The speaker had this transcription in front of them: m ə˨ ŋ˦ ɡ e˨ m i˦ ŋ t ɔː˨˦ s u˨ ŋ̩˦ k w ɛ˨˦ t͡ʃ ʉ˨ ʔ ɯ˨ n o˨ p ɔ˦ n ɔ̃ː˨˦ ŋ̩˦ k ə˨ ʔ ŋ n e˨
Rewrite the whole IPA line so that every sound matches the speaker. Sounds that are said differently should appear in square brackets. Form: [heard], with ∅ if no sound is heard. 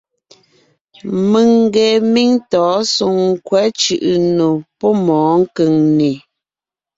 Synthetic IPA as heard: m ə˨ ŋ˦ ɡ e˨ m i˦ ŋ t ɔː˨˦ s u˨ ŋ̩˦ k w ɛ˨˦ t͡ʃ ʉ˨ ʔ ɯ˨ n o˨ p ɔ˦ [m] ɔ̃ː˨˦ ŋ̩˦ k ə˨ [∅] ŋ n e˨